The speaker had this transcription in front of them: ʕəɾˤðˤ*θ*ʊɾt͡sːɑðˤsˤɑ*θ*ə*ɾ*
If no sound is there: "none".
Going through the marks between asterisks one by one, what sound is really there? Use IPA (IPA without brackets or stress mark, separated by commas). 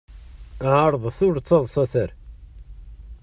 θ, θ, ɾ